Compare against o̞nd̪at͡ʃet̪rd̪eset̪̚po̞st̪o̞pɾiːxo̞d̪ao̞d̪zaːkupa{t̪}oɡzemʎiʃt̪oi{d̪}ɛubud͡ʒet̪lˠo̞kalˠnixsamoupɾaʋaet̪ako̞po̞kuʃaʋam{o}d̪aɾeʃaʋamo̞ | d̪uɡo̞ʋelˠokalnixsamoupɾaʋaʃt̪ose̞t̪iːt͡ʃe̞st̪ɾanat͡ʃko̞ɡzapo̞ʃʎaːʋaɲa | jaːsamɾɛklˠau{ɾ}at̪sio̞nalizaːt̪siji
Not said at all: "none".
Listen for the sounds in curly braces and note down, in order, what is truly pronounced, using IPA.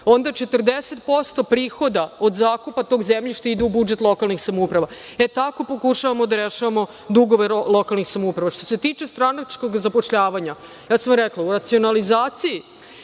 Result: t̪, d̪, o, ɾ

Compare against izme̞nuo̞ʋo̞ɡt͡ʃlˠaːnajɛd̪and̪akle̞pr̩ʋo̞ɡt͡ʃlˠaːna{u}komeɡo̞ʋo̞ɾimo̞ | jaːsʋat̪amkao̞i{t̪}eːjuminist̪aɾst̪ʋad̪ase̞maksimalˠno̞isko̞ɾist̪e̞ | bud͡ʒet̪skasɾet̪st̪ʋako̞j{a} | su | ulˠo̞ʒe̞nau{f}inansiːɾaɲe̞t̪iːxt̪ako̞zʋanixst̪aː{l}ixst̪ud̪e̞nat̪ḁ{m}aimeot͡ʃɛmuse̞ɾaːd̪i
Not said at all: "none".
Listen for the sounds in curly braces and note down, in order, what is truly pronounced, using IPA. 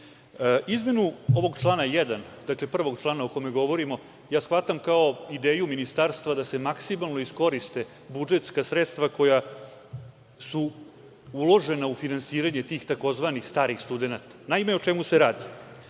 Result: o, d̪, a, f, ɾ, n

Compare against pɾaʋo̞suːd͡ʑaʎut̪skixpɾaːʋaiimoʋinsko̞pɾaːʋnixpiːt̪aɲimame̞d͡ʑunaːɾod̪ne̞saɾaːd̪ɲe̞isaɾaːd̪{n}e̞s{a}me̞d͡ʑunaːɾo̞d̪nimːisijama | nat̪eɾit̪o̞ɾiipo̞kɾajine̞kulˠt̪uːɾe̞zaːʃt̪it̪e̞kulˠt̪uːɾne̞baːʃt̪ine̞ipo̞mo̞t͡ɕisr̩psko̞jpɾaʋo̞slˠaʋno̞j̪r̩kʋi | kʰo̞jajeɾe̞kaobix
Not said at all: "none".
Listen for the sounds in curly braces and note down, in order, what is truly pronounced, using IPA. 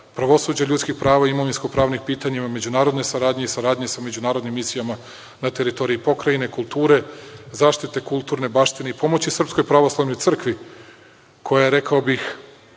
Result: ɲ, a

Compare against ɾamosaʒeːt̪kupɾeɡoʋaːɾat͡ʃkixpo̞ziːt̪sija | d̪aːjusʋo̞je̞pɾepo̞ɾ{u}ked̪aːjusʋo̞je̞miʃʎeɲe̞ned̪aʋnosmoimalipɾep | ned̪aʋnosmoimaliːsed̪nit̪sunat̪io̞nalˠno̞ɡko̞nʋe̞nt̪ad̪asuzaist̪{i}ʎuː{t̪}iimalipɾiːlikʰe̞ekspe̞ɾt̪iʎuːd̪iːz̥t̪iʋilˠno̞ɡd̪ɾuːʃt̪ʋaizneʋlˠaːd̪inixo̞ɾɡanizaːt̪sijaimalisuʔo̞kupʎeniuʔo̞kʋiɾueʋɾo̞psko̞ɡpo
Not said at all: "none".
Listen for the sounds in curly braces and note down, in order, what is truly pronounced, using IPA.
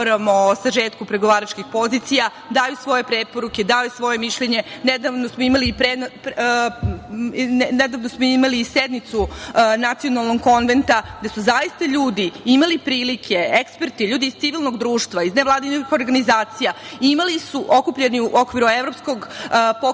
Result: u, a, d̪

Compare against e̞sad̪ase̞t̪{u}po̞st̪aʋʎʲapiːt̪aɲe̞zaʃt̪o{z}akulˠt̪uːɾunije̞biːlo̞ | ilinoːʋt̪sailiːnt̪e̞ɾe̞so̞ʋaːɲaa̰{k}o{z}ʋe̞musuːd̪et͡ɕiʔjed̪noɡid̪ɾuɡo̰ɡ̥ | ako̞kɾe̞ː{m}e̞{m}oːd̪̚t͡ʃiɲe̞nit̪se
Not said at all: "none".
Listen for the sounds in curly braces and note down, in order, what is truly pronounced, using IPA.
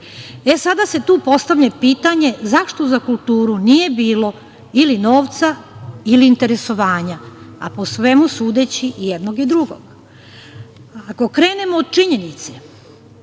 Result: uː, z, p, s, n, m

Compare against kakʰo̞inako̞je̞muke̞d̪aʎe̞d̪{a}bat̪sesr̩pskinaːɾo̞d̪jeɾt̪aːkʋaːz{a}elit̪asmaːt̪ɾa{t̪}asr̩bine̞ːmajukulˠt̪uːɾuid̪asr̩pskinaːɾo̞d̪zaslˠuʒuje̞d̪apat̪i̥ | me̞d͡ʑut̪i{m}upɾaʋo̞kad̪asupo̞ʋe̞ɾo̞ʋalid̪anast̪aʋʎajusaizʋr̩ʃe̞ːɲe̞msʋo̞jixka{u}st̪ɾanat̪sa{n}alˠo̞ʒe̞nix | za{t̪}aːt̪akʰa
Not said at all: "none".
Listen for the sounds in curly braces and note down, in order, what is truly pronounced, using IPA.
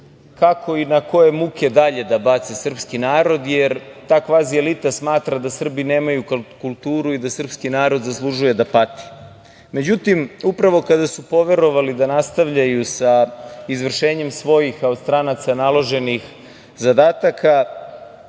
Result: a, i, d̪, m, o, n, d̪

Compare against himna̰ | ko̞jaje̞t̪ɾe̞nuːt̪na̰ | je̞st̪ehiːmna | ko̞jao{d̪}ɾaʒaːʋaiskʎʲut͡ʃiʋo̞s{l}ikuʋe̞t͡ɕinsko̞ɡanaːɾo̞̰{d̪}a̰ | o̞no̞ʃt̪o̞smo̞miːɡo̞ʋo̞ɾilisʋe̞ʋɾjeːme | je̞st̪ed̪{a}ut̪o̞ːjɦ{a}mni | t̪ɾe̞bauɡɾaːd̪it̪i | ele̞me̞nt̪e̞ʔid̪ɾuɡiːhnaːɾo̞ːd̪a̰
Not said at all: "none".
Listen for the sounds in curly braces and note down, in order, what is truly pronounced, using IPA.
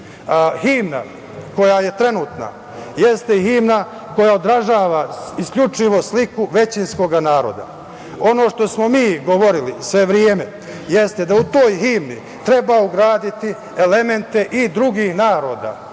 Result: d̪, l, d̪, a, i

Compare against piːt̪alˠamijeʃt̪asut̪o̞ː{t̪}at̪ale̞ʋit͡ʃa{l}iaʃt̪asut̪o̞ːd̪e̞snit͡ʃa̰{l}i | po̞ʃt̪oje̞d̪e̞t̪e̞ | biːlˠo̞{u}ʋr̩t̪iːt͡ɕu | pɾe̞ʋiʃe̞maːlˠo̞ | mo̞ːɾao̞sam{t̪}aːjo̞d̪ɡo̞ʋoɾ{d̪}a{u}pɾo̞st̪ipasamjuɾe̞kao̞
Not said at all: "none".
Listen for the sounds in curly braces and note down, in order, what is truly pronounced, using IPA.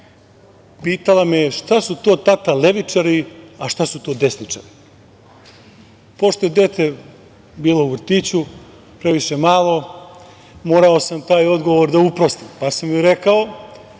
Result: t̪, ɾ, ɾ, u, t̪, d̪, u

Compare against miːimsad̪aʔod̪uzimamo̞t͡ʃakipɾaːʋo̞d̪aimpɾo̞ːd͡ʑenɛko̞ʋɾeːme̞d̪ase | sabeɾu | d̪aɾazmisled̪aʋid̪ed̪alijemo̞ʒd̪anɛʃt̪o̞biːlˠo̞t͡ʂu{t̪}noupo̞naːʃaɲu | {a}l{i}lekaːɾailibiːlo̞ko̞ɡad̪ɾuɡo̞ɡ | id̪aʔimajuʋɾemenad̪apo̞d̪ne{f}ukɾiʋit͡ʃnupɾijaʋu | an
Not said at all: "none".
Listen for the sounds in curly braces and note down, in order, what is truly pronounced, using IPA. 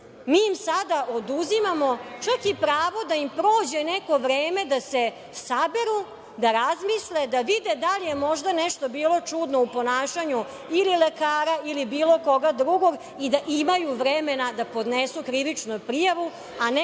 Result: d̪, i, i, s

